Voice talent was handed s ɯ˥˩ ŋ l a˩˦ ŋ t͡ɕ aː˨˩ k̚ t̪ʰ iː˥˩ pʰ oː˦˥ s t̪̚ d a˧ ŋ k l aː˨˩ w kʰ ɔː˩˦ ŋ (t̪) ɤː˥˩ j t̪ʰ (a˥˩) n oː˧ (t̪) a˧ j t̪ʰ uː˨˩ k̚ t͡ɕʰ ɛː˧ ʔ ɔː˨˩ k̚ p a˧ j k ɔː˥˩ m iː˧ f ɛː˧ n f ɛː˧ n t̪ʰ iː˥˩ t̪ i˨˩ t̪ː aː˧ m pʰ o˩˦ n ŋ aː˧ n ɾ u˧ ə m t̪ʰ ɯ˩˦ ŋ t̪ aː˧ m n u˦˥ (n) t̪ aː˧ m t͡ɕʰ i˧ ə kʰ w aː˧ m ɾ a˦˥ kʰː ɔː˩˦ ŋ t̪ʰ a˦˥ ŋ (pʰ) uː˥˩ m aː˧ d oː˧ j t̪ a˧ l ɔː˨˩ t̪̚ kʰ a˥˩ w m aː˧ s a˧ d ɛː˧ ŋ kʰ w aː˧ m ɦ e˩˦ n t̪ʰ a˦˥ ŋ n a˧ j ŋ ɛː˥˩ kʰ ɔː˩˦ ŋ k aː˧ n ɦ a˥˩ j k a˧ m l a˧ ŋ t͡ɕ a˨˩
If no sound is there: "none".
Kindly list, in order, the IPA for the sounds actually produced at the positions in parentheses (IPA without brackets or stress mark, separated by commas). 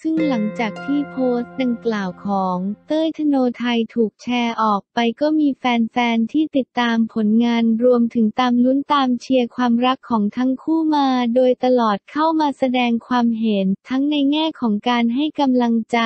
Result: t̪, a˧, t̪ʰ, n, kʰ